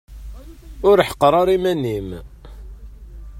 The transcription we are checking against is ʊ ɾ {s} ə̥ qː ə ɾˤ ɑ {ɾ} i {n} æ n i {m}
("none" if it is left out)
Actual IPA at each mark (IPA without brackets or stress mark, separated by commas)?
ħ, ɾ, m, m